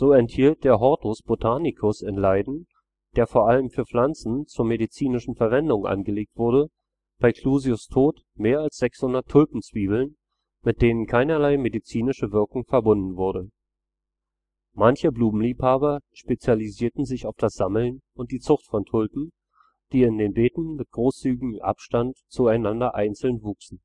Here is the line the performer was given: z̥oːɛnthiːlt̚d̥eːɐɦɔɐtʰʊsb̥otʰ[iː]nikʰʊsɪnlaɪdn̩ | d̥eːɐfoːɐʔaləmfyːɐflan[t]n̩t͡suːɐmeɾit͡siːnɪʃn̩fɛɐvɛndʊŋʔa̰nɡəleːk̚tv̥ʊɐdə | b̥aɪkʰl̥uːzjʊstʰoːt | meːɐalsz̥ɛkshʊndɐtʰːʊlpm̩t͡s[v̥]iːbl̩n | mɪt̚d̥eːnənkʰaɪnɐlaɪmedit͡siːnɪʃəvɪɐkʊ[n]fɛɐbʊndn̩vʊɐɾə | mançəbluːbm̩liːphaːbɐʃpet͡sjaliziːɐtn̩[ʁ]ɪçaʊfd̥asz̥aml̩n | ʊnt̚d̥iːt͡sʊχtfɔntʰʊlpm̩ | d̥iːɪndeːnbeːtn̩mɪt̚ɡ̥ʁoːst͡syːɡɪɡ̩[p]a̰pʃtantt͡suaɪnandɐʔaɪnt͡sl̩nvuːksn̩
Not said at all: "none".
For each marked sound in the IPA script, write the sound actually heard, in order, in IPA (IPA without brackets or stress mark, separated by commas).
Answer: aː, t͡s, v̥, ŋ, z, ʔ